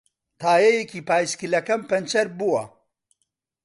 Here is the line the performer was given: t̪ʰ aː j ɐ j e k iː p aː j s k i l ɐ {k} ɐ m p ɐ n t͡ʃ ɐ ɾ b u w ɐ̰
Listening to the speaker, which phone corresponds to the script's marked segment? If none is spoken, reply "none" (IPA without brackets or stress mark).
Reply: k